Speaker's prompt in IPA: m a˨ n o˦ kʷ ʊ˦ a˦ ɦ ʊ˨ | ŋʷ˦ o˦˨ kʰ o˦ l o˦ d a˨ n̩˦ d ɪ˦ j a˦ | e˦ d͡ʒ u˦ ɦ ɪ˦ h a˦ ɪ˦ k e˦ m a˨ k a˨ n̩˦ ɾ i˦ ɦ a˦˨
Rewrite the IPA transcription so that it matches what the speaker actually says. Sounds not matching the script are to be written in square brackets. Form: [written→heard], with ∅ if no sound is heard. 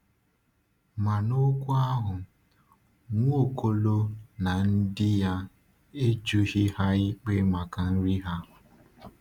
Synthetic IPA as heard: m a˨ n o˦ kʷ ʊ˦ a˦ ɦ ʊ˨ | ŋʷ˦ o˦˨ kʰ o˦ l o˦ [d→n] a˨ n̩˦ d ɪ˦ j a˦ | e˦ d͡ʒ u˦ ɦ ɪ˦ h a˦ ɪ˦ [k→k͡p] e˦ m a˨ k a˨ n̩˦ ɾ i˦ ɦ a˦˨